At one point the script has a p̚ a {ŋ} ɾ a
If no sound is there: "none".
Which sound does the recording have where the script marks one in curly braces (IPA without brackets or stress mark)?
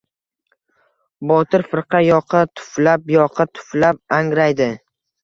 ŋ